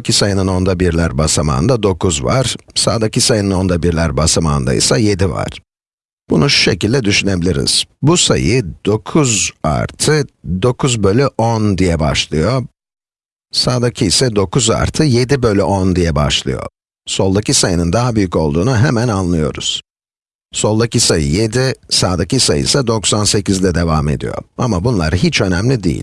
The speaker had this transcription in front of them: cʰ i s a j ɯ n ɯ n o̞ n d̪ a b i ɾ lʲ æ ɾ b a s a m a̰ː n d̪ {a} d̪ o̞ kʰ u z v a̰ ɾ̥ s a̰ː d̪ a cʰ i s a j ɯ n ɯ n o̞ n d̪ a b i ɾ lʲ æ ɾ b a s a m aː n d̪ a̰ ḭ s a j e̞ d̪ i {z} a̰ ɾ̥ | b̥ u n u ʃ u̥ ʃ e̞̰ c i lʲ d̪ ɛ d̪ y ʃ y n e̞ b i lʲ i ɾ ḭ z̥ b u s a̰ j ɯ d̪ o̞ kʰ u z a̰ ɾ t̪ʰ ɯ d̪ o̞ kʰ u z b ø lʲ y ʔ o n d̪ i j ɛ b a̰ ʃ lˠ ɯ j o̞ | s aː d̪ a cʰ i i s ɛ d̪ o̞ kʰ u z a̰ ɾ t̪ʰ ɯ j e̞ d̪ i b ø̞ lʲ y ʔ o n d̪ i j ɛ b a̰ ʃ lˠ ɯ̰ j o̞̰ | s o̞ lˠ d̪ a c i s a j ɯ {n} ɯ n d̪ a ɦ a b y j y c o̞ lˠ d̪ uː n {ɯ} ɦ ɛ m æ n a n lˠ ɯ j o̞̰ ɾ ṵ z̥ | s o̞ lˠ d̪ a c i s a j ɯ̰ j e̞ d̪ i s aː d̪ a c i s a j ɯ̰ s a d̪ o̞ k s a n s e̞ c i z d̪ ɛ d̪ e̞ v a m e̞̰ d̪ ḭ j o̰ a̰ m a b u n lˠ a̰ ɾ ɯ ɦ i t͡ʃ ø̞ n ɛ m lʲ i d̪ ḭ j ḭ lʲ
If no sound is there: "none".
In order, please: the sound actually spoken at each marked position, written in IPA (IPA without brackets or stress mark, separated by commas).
a, v, n, u